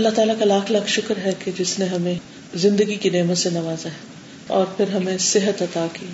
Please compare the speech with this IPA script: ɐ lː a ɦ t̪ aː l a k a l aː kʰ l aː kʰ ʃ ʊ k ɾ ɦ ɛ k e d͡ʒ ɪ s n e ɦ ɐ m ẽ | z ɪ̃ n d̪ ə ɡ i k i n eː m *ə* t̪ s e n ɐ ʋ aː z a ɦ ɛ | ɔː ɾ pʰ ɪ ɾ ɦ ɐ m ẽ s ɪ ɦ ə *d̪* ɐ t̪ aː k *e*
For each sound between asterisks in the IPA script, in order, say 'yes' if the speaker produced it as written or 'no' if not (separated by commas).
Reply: yes, no, no